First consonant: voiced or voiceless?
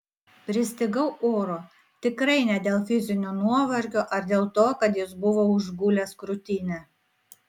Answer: voiceless